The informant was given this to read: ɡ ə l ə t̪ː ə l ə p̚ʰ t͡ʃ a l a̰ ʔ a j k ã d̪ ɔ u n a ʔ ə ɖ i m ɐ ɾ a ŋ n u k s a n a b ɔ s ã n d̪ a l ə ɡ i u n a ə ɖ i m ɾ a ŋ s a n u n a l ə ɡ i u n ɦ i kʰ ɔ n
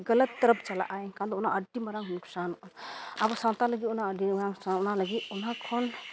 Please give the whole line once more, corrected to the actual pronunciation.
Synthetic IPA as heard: ɡ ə l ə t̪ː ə ɾ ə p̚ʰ t͡ʃ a l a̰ ʔ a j k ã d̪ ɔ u n a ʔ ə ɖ i m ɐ ɾ a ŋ n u k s a n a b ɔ s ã n t̪ a l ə ɡ i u n a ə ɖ i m ɾ a ŋ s a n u n a l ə ɡ i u n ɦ a kʰ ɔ n

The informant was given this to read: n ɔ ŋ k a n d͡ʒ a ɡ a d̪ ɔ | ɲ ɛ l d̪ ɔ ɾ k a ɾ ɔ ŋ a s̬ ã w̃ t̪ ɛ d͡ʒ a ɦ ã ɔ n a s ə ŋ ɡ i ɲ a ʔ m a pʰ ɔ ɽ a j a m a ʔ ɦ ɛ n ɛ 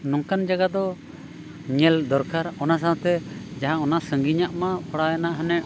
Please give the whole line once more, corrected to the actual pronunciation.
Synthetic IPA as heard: n ɔ ŋ k a n d͡ʒ a ɡ a d̪ ɔ | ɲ ɛ l d̪ ɔ ɾ k a ɾ ɔ n a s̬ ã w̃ t̪ ɛ d͡ʒ a ɦ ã ɔ n a s ə ŋ ɡ i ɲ a ʔ m a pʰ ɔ ɽ a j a n a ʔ ɦ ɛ n ɛ

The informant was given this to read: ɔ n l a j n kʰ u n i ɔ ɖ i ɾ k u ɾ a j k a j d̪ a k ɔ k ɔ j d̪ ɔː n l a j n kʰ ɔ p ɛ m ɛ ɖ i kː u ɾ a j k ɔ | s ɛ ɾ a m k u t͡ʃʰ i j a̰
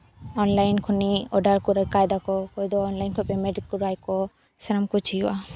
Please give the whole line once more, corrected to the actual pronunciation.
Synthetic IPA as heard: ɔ n l a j n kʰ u n i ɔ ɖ a ɾ k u ɾ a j k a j d̪ a k ɔ k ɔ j d̪ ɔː n l a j n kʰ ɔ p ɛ m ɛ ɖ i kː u ɾ a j k ɔ | s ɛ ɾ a m k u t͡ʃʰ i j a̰

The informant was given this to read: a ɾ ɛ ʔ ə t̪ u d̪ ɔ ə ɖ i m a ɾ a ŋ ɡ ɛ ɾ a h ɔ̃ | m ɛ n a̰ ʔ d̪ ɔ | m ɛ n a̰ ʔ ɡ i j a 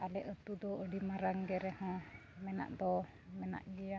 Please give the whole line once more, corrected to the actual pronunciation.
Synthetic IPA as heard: a l ɛ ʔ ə t̪ u d̪ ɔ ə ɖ i m a ɾ a ŋ ɡ ɛ ɾ ɛ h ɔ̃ | m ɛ n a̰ ʔ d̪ ɔ | m ɛ n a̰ ʔ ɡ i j a

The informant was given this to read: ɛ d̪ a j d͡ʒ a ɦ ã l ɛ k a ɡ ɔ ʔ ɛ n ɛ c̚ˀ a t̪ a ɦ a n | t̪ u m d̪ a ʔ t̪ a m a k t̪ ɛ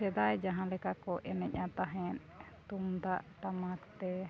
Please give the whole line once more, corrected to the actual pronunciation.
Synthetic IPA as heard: ɛ d̪ a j d͡ʒ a ɦ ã l ɛ k a k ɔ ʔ ɛ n ɛ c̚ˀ a t̪ a ɦ ɛ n | t̪ u m d̪ a ʔ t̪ a m a k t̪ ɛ

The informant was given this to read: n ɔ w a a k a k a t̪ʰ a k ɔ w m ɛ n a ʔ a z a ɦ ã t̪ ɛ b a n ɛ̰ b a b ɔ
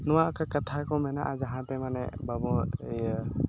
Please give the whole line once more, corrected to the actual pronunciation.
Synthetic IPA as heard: n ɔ w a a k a k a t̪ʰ a k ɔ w m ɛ n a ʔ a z a ɦ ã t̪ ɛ m a n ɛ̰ b a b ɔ

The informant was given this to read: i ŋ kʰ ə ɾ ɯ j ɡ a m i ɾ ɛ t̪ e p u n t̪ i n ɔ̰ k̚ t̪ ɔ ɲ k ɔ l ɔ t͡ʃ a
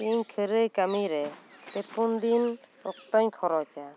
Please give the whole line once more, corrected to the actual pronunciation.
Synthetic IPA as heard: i ɲ kʰ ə ɾ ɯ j k a m i ɾ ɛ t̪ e p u n d̪ i n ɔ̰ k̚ t̪ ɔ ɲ kʰ ɔ ɾ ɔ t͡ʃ a

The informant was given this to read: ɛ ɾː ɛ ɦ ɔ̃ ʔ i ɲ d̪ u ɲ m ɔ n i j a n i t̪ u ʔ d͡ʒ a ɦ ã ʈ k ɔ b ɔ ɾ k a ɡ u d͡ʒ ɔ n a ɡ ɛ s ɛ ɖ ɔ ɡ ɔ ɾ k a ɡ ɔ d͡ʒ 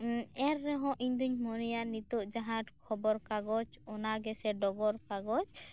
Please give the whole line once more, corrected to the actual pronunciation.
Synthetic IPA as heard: ɛ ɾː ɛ ɦ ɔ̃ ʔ i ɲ d̪ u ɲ m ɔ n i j a n i t̪ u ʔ d͡ʒ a ɦ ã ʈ kʰ ɔ b ɔ ɾ k a ɡ ɔ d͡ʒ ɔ n a ɡ ɛ s ɛ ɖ ɔ ɡ ɔ ɾ k a ɡ ɔ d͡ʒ

